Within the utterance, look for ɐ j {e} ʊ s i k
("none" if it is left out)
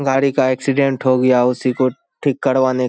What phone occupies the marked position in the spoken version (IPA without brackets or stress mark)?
a